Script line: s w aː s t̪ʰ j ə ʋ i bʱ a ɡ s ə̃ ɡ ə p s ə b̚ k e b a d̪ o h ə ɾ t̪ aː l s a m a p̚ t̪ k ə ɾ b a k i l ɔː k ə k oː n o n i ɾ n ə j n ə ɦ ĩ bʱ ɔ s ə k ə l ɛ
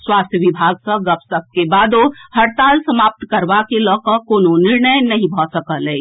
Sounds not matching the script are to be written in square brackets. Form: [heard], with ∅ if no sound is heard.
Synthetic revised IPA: s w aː s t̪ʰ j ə ʋ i bʱ a ɡ s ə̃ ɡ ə p s ə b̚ k e b a d̪ o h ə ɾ t̪ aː l s [ə] m a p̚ t̪ k ə ɾ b a k [e] l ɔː k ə k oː n o n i ɾ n ə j n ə ɦ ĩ bʱ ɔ s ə k ə l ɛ